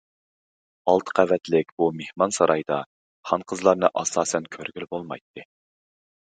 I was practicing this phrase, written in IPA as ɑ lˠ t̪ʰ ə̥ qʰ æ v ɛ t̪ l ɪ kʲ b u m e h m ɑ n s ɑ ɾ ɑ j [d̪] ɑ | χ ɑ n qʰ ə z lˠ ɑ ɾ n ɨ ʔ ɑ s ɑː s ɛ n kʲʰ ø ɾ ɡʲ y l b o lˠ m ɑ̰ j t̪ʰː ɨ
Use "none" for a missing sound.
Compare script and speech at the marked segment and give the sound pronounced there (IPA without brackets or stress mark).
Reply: d̪